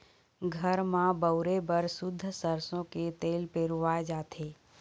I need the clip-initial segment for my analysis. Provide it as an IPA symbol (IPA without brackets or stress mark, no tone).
ɡʱ